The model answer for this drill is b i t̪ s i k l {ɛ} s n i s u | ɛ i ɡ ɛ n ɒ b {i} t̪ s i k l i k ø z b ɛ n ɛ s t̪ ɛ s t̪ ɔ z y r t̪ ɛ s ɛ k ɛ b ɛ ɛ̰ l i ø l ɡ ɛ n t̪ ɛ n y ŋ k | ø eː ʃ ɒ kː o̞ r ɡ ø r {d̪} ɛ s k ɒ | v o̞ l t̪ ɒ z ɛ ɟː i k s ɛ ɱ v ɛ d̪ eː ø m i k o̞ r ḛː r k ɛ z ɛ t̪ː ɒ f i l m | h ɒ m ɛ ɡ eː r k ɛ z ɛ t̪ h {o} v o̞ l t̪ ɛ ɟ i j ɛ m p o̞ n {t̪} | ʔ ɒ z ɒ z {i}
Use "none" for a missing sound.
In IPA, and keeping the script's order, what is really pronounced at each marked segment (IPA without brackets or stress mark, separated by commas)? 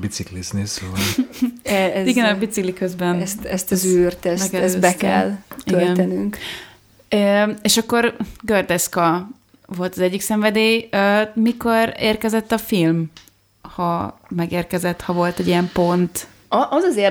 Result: i, i, d̪, ɒ, t̪, e